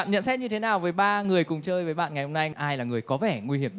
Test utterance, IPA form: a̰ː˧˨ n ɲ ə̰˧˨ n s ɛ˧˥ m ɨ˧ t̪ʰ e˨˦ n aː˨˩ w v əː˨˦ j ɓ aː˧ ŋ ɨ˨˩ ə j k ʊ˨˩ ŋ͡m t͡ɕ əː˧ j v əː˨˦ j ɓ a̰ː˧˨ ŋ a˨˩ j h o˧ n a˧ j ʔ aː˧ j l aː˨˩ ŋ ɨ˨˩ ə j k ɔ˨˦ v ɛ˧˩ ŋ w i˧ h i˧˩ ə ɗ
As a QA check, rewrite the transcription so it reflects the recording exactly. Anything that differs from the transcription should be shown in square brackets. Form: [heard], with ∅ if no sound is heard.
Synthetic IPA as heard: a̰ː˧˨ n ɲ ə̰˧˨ n s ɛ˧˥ [ɲ] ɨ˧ t̪ʰ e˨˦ n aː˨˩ w v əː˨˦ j ɓ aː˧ ŋ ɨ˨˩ ə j k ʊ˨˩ ŋ͡m t͡ɕ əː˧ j v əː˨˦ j ɓ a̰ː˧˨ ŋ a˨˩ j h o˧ n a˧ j ʔ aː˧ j l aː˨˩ ŋ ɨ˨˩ ə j k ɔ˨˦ v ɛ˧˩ ŋ w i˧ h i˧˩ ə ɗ

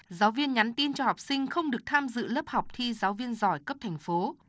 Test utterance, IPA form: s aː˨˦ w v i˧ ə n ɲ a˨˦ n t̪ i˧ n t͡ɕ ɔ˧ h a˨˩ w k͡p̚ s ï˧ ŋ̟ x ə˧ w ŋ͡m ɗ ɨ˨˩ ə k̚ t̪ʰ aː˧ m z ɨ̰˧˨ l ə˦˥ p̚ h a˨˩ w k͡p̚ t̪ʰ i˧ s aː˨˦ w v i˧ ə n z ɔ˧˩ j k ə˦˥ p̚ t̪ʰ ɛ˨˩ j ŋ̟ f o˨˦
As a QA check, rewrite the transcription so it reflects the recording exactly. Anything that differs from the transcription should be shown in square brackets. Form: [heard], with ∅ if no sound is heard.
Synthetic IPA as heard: [z] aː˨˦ w v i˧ ə n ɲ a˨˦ n t̪ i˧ n t͡ɕ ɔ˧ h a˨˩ w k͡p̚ s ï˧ ŋ̟ x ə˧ w ŋ͡m ɗ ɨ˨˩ ə k̚ t̪ʰ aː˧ m z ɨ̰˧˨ l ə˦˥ p̚ h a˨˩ w k͡p̚ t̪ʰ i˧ [z] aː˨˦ w v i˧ ə n z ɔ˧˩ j k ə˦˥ p̚ t̪ʰ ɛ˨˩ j ŋ̟ f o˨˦

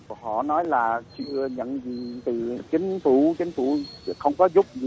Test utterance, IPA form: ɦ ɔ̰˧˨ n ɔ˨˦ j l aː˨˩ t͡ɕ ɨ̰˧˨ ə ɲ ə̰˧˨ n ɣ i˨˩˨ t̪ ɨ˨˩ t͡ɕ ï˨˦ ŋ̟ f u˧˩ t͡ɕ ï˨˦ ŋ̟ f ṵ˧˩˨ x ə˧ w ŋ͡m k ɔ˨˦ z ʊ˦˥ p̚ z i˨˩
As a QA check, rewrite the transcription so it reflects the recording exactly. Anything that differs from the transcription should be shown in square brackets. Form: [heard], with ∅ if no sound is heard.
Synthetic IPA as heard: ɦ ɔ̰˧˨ n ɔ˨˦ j l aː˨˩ t͡ɕ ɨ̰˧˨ ə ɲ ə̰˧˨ n [z] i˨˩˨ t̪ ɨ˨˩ t͡ɕ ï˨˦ ŋ̟ f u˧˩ t͡ɕ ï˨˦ ŋ̟ f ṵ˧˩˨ x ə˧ w ŋ͡m k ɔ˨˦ z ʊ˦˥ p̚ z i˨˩

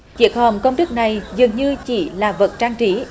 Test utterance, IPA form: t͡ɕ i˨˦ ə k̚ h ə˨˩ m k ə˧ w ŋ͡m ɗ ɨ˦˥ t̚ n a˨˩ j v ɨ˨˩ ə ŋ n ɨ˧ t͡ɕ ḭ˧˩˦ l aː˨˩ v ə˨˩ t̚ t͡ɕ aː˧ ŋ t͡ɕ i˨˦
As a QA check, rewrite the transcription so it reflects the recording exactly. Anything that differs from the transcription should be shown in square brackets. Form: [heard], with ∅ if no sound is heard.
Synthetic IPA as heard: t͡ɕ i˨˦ ə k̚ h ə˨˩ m k ə˧ w ŋ͡m ɗ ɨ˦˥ [k̚] n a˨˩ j [z] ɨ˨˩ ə ŋ [ɲ] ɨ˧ t͡ɕ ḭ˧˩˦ l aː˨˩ v ə˨˩ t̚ t͡ɕ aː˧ ŋ t͡ɕ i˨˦

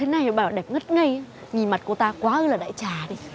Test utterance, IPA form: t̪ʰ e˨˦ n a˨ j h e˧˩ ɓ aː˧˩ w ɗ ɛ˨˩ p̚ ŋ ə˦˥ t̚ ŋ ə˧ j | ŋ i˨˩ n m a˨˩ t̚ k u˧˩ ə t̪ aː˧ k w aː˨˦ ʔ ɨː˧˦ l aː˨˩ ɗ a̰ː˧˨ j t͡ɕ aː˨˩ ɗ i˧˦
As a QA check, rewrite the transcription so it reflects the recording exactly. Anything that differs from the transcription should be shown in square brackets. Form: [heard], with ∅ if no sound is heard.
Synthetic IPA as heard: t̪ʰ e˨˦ n a˨ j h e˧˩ ɓ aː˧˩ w ɗ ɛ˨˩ p̚ ŋ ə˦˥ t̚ ŋ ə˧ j | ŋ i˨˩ n m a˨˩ t̚ k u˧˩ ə t̪ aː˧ k w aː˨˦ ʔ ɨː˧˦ l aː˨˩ ɗ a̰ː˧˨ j t͡ɕ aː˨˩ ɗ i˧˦

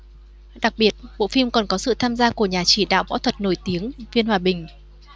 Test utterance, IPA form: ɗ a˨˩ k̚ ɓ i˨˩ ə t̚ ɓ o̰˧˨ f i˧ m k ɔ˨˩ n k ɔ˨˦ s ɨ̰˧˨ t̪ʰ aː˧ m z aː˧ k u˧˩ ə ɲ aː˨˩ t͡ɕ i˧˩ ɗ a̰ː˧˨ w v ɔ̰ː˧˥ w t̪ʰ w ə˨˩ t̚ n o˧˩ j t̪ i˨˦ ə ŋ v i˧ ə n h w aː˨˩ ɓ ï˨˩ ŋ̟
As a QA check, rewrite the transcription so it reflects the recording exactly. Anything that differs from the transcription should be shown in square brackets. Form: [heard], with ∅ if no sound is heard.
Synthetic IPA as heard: ɗ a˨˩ k̚ ɓ i˨˩ ə t̚ ɓ o̰˧˨ f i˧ m k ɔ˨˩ n k ɔ˨˦ s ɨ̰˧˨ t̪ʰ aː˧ m z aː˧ k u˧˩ ə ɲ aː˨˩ t͡ɕ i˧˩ ɗ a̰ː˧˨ w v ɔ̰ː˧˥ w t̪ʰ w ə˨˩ t̚ n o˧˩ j t̪ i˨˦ ə ŋ v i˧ ə n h w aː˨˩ ɓ ï˨˩ ŋ̟

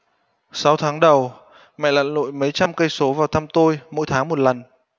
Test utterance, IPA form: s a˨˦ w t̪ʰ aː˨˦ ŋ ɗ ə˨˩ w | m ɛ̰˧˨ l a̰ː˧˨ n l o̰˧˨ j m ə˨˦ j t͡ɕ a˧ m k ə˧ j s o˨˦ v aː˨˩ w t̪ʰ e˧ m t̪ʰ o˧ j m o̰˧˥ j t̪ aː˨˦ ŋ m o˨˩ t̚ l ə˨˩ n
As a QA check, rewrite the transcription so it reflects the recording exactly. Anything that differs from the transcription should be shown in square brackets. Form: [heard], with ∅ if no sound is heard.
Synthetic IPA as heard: s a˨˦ w t̪ʰ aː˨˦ ŋ ɗ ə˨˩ w | m ɛ̰˧˨ l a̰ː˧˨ n l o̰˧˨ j m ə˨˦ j t͡ɕ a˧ m k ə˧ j s o˨˦ v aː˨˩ w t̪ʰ [a˧] m [t̪] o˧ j m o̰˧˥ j [t̪ʰ] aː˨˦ ŋ m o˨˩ t̚ l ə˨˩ n

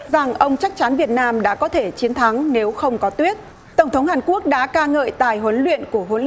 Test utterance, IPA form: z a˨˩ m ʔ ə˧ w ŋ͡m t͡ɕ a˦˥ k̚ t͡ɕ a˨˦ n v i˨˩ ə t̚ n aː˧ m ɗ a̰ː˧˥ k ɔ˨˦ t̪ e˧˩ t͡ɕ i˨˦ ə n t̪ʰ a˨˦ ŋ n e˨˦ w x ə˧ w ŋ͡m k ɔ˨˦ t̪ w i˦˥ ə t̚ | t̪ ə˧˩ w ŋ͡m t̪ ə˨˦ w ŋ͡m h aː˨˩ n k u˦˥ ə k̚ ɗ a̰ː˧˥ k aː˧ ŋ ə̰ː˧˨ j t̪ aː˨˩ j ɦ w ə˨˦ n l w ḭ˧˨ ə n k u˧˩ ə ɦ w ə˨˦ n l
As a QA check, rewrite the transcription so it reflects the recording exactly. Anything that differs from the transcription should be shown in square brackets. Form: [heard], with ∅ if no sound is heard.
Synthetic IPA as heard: z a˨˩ [ŋ] ʔ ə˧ w ŋ͡m t͡ɕ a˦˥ k̚ t͡ɕ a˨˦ n v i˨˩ ə t̚ n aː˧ m ɗ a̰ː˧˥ k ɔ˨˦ [t̪ʰ] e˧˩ t͡ɕ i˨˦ ə n t̪ʰ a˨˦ ŋ n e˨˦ w x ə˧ w ŋ͡m k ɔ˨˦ t̪ w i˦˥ ə t̚ | t̪ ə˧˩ w ŋ͡m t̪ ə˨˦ w ŋ͡m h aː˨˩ n k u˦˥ ə k̚ ɗ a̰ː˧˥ k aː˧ ŋ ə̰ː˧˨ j t̪ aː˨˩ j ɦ w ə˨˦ n l w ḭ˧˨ ə n k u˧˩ ə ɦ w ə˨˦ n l

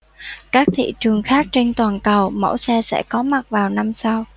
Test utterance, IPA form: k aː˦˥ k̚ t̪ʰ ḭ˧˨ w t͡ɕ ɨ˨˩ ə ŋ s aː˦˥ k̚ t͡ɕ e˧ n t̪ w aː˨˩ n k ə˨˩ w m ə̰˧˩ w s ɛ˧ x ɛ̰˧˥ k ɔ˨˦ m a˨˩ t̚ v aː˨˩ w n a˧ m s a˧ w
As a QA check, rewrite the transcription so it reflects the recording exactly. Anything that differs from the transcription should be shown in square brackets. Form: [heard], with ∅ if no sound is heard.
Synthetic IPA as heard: k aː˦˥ k̚ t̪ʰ ḭ˧˨ [∅] t͡ɕ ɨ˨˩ ə ŋ [x] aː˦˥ k̚ t͡ɕ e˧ n t̪ w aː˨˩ n k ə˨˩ w m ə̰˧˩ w s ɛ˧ [s] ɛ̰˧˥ k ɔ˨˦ m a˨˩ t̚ v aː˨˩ w n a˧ m s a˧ w

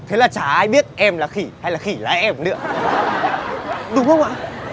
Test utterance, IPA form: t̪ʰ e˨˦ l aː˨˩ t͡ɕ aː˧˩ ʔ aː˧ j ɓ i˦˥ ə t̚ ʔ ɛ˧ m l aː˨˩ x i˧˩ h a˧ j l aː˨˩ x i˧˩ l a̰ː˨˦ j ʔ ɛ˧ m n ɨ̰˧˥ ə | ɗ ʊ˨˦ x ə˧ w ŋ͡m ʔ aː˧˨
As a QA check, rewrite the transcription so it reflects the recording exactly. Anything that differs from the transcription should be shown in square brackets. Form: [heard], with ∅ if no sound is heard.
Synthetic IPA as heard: t̪ʰ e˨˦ l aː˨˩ t͡ɕ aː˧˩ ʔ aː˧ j ɓ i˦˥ ə t̚ ʔ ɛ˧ m l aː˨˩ x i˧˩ h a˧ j l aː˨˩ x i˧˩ l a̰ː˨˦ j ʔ ɛ˧ m n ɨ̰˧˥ ə | ɗ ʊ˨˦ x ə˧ w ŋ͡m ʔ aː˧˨

